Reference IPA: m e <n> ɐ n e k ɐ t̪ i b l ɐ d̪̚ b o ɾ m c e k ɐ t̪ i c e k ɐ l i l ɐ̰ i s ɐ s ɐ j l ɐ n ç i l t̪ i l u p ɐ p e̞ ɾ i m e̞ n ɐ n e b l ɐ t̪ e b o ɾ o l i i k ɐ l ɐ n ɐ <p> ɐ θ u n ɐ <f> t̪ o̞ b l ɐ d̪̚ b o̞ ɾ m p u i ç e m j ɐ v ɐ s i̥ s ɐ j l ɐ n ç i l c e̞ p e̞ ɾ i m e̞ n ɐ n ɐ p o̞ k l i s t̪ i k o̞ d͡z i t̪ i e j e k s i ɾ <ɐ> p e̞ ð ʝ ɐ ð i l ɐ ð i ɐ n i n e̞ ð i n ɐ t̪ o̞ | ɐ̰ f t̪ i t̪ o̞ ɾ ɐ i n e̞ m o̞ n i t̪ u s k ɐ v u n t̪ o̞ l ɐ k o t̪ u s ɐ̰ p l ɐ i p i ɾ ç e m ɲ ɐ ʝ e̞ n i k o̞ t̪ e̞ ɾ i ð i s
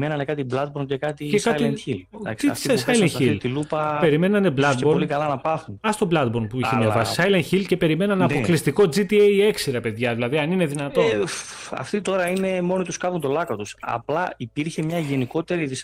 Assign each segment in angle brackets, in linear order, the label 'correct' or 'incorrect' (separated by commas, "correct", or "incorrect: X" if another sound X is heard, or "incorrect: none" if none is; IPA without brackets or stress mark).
correct, correct, incorrect: s, correct